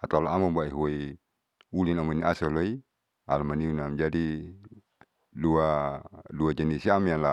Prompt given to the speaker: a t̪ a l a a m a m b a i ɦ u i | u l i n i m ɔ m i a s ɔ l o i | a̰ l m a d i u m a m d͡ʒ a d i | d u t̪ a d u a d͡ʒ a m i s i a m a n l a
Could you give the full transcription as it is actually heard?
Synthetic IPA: a t̪ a l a a m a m b a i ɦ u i | u l i n a m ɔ n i a s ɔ l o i | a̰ l m a n i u n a m d͡ʒ a d i | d u a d u a d͡ʒ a n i s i a m a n l a

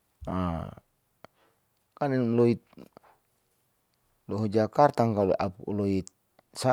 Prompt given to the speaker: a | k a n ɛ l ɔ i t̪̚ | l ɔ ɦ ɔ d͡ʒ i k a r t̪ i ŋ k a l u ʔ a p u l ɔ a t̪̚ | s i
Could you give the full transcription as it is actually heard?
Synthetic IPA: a | k a n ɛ l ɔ i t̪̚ | l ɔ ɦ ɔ d͡ʒ a k a r t̪ a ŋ k a l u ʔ a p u l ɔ i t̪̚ | s a

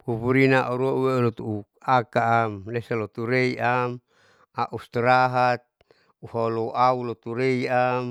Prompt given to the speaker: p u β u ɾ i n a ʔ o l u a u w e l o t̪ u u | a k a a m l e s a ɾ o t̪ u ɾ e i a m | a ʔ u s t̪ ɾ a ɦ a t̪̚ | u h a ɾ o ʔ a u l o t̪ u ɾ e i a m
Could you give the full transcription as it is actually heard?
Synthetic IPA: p u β u ɾ i n a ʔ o ɾ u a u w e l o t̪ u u | a k a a m l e s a l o t̪ u ɾ e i a m | a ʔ u s t̪ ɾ a ɦ a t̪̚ | u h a l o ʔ a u l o t̪ u ɾ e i a m

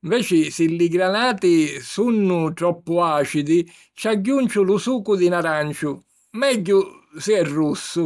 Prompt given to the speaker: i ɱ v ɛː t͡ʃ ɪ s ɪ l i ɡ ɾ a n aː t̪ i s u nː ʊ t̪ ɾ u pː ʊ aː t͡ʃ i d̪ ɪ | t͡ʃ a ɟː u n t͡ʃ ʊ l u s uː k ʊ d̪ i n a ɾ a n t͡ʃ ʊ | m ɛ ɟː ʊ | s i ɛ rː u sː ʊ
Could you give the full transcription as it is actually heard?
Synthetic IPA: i ɱ v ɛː t͡ʃ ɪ s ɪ l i ɡ ɾ a n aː t̪ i s u nː ʊ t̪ ɾ ɔ pː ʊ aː t͡ʃ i d̪ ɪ | t͡ʃ a ɟː u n t͡ʃ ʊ l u s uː k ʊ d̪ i n a ɾ a n t͡ʃ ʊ | m ɛ ɟː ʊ | s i ɛ rː u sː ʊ

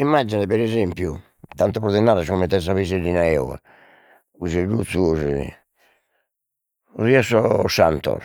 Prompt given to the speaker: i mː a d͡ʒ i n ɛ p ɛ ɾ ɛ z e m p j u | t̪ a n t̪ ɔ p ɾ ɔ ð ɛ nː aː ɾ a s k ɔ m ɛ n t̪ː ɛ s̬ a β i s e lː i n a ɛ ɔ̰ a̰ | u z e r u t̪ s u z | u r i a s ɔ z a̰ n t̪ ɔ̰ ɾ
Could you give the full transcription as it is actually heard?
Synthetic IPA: i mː a d͡ʒ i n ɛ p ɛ ɾ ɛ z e m p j u | t̪ a n t̪ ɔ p ɾ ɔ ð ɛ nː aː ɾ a s k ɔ m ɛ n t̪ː ɛ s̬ a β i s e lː i n a ɛ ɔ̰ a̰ | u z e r u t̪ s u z | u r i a s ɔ s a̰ n t̪ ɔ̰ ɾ

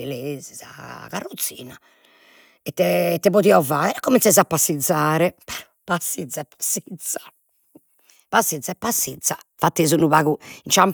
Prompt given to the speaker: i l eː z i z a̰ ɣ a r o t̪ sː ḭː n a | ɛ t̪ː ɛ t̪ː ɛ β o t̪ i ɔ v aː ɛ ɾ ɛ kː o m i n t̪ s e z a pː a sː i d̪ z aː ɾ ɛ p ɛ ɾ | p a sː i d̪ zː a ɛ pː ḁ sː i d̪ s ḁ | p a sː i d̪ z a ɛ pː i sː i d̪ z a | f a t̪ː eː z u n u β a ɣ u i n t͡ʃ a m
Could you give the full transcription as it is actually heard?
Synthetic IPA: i l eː z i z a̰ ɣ a r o t̪ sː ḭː n a | ɛ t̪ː ɛ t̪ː ɛ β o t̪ i ɔ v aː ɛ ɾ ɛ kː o m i n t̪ s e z a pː a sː i d̪ z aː ɾ ɛ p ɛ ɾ | p a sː i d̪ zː a ɛ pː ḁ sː i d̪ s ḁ | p a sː i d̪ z a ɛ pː a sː i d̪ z a | f a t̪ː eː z u n u β a ɣ u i n t͡ʃ a m

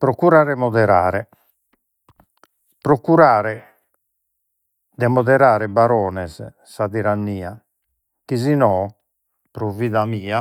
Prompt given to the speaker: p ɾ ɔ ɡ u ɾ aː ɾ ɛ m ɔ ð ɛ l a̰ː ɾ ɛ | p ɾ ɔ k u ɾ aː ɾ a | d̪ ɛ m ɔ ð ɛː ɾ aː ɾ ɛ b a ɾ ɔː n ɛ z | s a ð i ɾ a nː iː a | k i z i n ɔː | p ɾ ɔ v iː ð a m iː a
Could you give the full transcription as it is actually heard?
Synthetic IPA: p ɾ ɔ k u ɾ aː ɾ ɛ m ɔ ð ɛ ɾ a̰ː ɾ ɛ | p ɾ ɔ k u ɾ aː ɾ ɛ | d̪ ɛ m ɔ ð ɛ ɾ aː ɾ ɛ b a ɾ ɔː n ɛ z | s a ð i ɾ a nː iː a | k i z i n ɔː | p ɾ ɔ v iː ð a m iː a

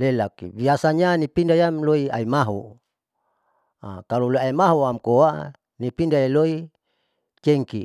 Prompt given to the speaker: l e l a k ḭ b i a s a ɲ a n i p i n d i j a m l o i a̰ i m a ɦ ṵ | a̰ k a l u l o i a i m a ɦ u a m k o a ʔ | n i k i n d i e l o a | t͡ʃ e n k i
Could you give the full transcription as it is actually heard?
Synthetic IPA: l e l a k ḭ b i a s a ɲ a n i p i n d a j a m l o i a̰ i m a ɦ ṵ | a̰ k a l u l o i a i m a ɦ u a m k o a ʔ | n i p i n d a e l o i | t͡ʃ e ŋ k i

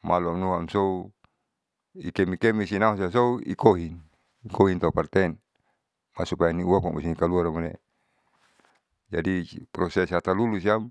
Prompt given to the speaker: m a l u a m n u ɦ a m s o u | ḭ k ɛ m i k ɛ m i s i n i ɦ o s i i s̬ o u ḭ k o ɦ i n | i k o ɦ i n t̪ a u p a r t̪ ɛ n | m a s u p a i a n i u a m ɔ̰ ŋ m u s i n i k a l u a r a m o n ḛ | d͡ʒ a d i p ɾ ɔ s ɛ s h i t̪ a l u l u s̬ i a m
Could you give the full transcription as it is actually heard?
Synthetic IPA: m a l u a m n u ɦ a m s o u | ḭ k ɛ m i k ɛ m i s i n a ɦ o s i a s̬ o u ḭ k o ɦ i n | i k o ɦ i n t̪ a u p a r t̪ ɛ n | m a s u p a j a n i u a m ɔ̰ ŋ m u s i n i k a l u a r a m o n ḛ | d͡ʒ a d i p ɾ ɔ s ɛ s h a t̪ a l u l u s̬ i a m

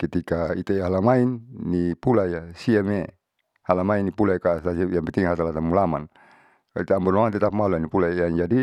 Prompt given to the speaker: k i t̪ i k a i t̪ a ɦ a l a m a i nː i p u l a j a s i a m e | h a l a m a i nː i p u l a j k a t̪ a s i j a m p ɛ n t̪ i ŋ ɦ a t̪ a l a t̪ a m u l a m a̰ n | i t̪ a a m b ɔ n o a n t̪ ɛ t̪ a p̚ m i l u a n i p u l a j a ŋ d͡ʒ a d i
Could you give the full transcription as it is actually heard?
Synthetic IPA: k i t̪ i k a i t̪ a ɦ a l a m a i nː i p u l a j a s i a m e | h a l a m a i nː i p u l a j k a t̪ a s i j a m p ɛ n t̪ i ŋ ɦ a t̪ a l a t̪ a m u l a m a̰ n | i t̪ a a m b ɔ n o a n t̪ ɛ t̪ a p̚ m a l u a n i p u l a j a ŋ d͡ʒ a d i

